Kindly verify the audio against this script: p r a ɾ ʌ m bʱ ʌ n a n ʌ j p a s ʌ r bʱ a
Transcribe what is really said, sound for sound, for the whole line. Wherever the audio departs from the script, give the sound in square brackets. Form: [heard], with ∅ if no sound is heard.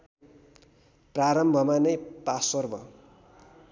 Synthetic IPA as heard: p r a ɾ ʌ m bʱ ʌ [m] a n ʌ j p a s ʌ r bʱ [ʌ]